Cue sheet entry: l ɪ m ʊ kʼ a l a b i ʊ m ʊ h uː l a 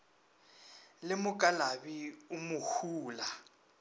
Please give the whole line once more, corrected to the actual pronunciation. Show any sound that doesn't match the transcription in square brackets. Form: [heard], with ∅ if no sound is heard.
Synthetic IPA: l ɪ m ʊ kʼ a l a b i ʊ m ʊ h uː l a

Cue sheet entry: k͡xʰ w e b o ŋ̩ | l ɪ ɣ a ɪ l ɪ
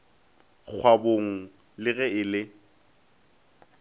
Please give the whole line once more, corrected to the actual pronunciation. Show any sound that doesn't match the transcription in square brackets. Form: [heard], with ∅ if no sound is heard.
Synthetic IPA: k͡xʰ w [a] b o ŋ̩ | l ɪ ɣ [ɛ] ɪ l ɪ

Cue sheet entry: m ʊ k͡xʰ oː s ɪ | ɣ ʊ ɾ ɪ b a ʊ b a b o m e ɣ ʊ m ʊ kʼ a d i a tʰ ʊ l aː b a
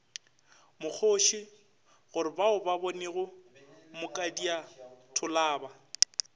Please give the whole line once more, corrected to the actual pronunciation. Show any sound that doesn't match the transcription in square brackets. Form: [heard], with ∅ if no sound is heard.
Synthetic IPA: m ʊ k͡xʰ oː [ʃ] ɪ | ɣ ʊ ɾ ɪ b a ʊ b a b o [n] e ɣ ʊ m ʊ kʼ a d i a tʰ ʊ l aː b a

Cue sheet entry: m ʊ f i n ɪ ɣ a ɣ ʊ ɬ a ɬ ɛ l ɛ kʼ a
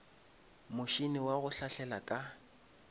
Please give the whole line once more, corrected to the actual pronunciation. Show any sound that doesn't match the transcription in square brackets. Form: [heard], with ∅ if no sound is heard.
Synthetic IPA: m ʊ [ʃ] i n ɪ [w] a ɣ ʊ ɬ a ɬ ɛ l [a] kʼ a

